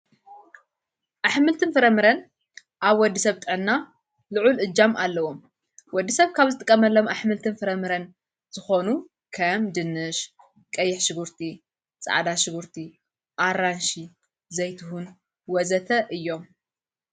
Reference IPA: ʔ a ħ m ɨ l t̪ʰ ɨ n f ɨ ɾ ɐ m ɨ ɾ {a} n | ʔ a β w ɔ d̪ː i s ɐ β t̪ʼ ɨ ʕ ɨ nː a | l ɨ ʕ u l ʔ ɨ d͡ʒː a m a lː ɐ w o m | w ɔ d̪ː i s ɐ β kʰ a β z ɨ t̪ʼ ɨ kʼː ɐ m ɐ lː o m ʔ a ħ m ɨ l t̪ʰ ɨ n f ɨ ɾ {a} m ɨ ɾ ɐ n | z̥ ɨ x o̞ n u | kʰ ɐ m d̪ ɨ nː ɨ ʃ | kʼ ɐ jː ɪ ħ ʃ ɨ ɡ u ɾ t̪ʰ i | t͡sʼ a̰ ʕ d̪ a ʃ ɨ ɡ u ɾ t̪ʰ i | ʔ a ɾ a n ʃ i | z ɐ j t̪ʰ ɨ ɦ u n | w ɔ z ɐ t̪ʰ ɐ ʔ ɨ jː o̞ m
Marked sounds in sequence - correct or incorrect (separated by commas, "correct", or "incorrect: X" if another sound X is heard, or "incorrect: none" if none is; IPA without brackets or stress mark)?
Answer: incorrect: ɐ, incorrect: ɐ